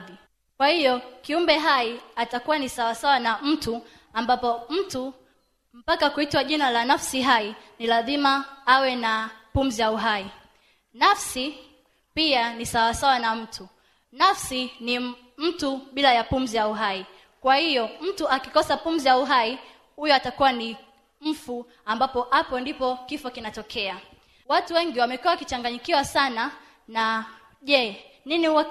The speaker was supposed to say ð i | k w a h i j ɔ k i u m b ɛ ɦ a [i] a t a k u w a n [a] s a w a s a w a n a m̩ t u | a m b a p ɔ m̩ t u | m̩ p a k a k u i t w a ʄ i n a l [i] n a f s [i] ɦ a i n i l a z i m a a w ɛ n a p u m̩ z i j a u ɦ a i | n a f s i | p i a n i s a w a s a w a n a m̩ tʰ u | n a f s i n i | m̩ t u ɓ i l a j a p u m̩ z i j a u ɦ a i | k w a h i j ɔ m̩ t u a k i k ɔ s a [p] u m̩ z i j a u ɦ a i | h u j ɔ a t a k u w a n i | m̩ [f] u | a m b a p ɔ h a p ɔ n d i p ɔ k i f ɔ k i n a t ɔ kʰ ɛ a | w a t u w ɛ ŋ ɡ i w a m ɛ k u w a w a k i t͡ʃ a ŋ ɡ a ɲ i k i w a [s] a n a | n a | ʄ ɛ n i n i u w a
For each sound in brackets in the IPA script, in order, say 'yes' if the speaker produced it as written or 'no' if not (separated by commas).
yes, no, no, yes, yes, yes, yes